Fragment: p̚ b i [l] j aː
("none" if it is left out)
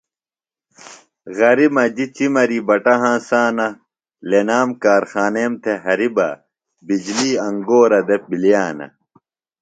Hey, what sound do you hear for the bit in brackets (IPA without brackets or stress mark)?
l